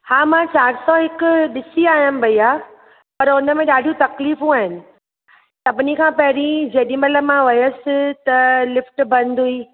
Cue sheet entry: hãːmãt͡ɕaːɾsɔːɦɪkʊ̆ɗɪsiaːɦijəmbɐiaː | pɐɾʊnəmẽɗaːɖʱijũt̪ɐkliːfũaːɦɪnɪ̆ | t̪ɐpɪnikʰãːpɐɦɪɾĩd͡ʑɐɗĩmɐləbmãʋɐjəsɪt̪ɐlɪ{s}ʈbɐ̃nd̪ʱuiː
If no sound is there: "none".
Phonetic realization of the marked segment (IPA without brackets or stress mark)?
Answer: f